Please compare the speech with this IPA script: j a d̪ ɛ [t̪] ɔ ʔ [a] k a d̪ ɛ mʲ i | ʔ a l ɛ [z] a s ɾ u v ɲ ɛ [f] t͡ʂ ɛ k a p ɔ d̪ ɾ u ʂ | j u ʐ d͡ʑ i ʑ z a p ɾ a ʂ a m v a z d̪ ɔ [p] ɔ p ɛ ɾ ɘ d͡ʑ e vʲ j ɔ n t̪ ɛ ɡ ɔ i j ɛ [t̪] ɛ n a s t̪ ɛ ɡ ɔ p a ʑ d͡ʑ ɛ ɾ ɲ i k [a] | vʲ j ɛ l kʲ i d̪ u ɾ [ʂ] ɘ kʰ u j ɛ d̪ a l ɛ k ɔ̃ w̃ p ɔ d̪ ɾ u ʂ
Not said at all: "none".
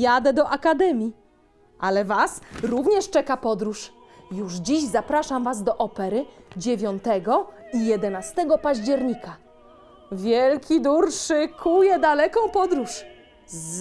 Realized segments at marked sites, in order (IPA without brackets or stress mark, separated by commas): d̪, a, v, ʂ, ʔ, d̪, a, ʂ